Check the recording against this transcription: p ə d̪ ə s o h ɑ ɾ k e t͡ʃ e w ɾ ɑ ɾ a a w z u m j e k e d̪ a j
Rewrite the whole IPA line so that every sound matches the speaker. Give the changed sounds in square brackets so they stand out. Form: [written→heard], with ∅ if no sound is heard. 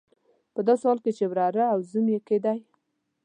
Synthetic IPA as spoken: p ə d̪ [ə→ɑ] s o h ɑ [ɾ→l] k e t͡ʃ e w ɾ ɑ ɾ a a w z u m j e k e d̪ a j